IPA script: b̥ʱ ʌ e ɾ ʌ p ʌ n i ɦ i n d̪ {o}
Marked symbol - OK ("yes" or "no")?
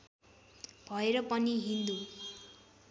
no